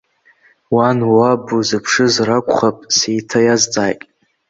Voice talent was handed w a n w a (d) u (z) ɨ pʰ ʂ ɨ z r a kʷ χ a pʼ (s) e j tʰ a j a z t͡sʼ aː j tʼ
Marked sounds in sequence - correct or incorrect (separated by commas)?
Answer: incorrect, correct, correct